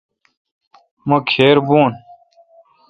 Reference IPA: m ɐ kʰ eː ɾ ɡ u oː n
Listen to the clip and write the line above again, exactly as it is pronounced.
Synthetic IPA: m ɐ kʰ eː ɾ b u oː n